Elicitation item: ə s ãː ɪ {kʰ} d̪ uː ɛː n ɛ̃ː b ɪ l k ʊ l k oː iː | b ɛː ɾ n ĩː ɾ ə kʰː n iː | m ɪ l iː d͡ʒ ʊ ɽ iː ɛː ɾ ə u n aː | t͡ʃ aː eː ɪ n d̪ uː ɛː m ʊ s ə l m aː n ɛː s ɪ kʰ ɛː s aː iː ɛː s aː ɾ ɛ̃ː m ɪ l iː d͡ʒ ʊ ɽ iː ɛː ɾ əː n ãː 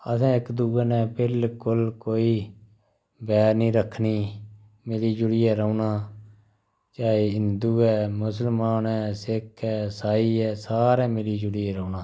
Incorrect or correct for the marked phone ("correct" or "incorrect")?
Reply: incorrect